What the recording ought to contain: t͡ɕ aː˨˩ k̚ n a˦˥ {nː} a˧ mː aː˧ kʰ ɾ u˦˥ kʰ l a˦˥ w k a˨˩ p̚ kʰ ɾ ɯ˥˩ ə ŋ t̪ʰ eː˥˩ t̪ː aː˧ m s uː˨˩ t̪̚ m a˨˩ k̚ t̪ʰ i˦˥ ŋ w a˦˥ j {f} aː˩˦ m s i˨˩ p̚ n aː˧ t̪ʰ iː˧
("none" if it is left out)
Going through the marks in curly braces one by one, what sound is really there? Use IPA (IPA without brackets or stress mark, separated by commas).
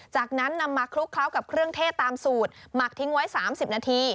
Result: nː, s